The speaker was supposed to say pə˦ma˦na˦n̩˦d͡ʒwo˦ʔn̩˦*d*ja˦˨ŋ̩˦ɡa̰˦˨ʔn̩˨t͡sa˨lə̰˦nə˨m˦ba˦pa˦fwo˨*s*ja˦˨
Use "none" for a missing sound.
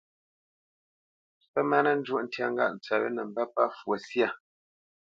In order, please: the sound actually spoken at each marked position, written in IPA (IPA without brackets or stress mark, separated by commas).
t, s